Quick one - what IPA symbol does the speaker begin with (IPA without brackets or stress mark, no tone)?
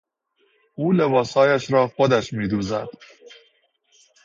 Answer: uː